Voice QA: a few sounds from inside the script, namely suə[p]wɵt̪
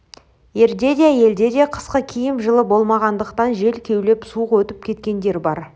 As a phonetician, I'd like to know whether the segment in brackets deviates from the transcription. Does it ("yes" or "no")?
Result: yes